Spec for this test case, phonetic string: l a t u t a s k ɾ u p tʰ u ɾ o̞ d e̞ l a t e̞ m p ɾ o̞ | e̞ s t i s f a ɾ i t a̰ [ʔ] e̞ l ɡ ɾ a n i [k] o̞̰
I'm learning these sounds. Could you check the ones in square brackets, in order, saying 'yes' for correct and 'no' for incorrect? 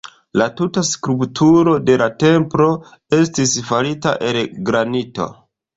yes, no

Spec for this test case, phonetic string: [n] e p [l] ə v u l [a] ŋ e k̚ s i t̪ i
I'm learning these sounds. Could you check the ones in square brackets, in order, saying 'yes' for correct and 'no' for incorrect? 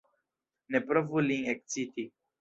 yes, no, no

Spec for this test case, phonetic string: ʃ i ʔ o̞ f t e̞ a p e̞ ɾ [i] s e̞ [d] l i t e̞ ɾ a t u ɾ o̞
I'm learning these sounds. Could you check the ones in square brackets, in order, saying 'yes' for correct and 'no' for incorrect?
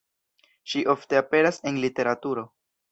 no, no

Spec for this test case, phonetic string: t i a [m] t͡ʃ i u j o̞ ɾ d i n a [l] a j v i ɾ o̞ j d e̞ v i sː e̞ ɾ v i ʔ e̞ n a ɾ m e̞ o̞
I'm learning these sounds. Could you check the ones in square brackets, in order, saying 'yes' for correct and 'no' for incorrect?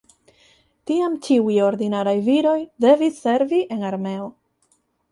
yes, no

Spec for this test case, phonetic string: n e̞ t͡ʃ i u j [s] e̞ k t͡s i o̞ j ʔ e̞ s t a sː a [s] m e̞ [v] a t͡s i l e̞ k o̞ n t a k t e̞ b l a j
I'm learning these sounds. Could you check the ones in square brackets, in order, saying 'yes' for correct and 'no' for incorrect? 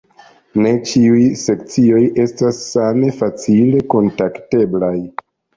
yes, no, no

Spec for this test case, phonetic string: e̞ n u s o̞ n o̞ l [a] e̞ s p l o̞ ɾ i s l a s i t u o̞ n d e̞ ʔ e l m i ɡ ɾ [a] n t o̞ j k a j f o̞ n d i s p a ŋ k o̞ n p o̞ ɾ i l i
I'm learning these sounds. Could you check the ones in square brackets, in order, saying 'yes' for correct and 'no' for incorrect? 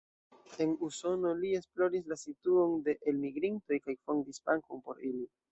no, no

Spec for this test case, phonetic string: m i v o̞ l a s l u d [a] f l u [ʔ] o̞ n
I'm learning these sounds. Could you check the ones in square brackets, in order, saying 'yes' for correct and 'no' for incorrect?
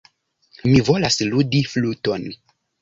no, no

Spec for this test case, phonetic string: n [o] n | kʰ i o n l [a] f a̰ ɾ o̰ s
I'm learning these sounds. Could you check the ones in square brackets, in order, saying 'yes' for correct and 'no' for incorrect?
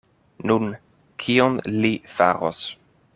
no, no

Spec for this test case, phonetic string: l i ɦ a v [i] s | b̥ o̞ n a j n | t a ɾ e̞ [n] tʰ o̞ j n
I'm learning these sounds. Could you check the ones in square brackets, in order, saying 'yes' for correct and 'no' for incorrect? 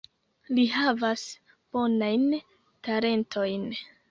no, yes

